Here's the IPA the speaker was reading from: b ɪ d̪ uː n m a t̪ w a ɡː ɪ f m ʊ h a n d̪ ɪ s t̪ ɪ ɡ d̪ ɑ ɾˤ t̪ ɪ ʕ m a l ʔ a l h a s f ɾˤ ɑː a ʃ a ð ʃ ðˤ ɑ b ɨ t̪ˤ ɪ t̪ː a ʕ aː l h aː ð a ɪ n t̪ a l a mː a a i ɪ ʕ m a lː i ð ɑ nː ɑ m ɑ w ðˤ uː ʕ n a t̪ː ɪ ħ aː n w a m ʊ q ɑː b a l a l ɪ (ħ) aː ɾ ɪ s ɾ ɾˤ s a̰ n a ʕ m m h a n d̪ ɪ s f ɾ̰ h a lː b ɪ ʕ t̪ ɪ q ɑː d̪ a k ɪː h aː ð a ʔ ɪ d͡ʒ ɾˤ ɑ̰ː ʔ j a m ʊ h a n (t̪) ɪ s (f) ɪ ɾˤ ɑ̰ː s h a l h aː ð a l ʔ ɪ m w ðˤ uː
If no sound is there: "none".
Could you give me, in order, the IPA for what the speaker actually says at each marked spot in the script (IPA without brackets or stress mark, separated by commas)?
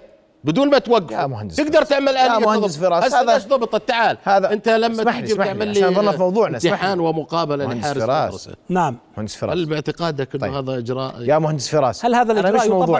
ħ, d̪, f